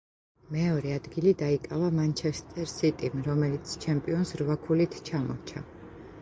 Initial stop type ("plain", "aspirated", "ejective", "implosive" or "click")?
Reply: plain